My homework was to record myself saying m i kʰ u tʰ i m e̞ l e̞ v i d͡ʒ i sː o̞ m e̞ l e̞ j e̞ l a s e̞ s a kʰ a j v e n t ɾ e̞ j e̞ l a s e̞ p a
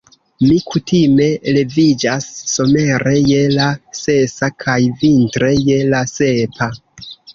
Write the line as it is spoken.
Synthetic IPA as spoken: m i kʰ u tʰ i m e̞ l e̞ v i d͡ʒ a sː o̞ m e̞ ɾ e̞ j e̞ l a s e̞ s a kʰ a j v i n t ɾ e̞ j e̞ l a s e̞ p a

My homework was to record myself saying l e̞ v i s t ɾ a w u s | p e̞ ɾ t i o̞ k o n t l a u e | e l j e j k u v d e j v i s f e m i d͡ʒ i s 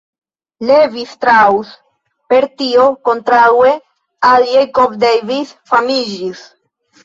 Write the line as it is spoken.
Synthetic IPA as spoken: l e̞ v i s t ɾ a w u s | p e̞ ɾ t i o̞ k o n t ɾ a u e | a l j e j k o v d e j v i s f a m i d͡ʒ i s

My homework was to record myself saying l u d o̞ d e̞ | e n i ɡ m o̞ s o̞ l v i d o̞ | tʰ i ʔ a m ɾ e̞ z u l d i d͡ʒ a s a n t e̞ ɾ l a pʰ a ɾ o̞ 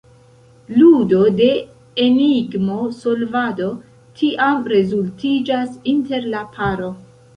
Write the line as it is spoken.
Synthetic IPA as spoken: l u d o̞ d e̞ | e n i ɡ m o̞ s o̞ l v a d o̞ | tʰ i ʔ a m ɾ e̞ z u l t i d͡ʒ a s i n t e̞ ɾ l a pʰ a ɾ o̞

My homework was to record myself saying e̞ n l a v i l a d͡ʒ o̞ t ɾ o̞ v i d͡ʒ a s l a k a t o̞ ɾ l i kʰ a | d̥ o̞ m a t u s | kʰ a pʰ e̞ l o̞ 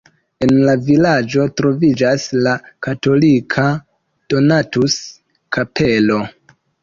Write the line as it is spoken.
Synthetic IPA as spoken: e̞ n l a v i l a d͡ʒ o̞ t ɾ o̞ v i d͡ʒ a s l a k a t o̞ l i kʰ a | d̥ o̞ n a t u s | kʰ a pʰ e̞ l o̞

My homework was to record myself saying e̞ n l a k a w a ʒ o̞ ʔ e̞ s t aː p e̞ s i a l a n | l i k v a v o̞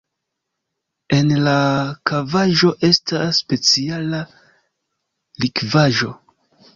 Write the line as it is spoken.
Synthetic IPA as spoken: e̞ n l a k a v a ʒ o̞ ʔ e̞ s t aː p e̞ t͡s i a l a | l i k v a ʒ o̞

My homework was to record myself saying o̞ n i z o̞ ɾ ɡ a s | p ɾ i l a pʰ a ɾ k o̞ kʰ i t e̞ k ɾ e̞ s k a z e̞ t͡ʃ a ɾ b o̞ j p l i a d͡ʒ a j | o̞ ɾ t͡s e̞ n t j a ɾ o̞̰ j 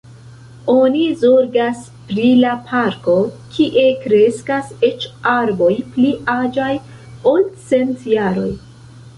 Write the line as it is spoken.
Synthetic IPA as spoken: o̞ n i z o̞ ɾ ɡ a s | p ɾ i l a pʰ a ɾ k o̞ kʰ i ʔ e̞ k ɾ e̞ s k a s e̞ t͡ʃ a ɾ b o̞ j p l i a d͡ʒ a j | o̞ l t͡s e̞ n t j a ɾ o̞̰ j

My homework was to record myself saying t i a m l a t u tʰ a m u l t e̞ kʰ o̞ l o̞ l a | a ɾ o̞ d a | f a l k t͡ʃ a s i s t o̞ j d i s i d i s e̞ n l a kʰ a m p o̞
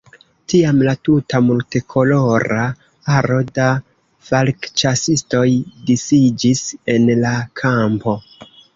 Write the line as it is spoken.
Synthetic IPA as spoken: t i a m l a t u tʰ a m u l t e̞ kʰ o̞ l o̞ ɾ a | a ɾ o̞ d a | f a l k t͡ʃ a s i s t o̞ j d i s i d͡ʒ i s e̞ n l a kʰ a m p o̞

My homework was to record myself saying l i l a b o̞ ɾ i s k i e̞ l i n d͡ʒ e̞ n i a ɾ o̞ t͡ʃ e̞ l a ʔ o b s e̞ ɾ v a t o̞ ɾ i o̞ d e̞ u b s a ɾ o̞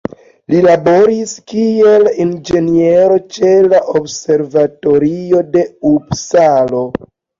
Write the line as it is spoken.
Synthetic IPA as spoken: l i l a b o̞ ɾ i s k i e̞ l i n d͡ʒ e̞ n i e ɾ o̞ t͡ʃ e̞ l a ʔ o b s e̞ ɾ v a t o̞ ɾ i o̞ d e̞ u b s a l o̞

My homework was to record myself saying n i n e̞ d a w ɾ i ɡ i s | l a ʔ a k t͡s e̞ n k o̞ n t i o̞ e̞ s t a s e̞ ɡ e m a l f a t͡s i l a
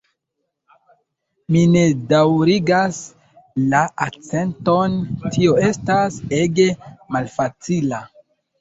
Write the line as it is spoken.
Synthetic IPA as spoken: m i n e̞ d a w ɾ i ɡ a s | l a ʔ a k t͡s e̞ n t o̞ n t i o̞ e̞ s t a s e̞ ɡ e m a l f a t͡s i l a

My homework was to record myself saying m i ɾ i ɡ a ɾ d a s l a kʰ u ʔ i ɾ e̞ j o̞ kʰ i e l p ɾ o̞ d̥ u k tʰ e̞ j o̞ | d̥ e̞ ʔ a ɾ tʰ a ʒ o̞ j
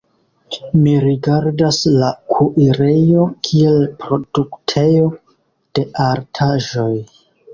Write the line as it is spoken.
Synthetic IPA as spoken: m i ɾ i ɡ a ɾ d a s l a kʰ u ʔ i ɾ e̞ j o̞ kʰ i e l p ɾ o̞ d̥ u k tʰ e̞ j o̞ | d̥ e̞ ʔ a ɾ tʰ a ʒ o̞ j

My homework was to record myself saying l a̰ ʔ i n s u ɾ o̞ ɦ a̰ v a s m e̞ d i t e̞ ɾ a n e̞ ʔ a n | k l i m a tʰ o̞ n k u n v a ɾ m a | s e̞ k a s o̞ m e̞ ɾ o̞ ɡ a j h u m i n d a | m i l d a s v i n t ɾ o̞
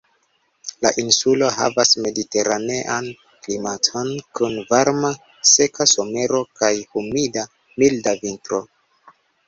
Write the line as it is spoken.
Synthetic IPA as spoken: l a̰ ʔ i n s u l o̞ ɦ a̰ v a s m e̞ d i t e̞ ɾ a n e̞ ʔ a n | k l i m a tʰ o̞ n k u n v a ɾ m a | s e̞ k a s o̞ m e̞ ɾ o̞ k a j h u m i d a | m i l d a v i n t ɾ o̞

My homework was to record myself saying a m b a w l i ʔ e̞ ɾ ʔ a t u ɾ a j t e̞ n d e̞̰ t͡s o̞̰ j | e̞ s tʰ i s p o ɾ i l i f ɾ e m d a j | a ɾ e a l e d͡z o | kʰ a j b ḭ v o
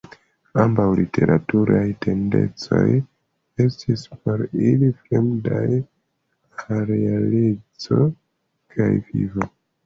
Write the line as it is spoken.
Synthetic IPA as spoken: a m b a w l i t e̞ ɾ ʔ a t u ɾ a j t e̞ n d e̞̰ t͡s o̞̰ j | e̞ s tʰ i s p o ɾ i l i f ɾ e m d a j | a ɾ e a l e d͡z o | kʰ a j v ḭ v o

